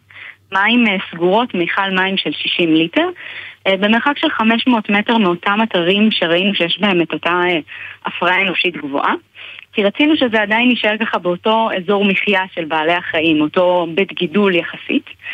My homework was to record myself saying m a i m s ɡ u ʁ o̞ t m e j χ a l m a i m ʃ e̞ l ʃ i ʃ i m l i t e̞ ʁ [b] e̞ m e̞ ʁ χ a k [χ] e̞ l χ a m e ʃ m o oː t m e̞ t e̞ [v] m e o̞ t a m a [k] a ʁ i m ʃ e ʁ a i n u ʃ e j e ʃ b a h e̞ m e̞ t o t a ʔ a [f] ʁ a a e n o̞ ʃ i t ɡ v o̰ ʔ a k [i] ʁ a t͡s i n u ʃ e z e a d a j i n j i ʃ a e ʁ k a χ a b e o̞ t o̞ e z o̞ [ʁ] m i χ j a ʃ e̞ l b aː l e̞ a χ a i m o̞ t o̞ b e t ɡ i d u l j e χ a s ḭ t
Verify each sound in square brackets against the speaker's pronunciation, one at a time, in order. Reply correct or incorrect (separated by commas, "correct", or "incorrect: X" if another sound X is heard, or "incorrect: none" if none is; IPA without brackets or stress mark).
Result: correct, incorrect: ʃ, incorrect: ʁ, incorrect: t, correct, correct, correct